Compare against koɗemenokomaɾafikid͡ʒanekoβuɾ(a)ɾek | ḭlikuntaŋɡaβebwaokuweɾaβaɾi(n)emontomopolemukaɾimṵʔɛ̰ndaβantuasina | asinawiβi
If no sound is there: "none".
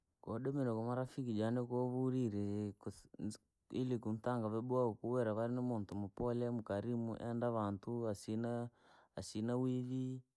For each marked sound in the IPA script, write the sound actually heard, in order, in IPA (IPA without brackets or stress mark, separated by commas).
i, n